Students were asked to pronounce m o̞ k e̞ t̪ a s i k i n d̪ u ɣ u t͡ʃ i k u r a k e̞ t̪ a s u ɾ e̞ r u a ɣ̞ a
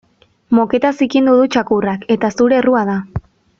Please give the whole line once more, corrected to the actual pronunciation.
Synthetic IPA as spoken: m o̞ k e̞ t̪ a s i k i n d̪ u ð u t͡ʃ a k u r a k e̞ t̪ a s u ɾ e̞ r u a ð̞ a